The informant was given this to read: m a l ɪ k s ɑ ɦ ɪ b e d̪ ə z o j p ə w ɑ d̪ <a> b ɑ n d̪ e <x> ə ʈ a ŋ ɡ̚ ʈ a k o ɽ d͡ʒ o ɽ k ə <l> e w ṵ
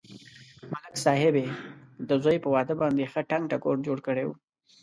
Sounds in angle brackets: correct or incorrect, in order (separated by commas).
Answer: incorrect, correct, incorrect